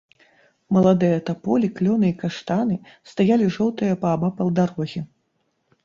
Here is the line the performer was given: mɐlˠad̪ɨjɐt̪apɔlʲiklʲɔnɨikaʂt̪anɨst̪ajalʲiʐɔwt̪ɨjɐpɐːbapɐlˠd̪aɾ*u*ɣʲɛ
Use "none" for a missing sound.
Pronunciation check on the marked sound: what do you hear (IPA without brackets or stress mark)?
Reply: ɔ